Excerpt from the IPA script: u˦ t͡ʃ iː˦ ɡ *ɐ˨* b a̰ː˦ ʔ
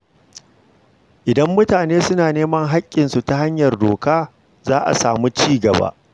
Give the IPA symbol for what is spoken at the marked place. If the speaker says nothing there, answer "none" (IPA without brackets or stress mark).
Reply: ɐ˨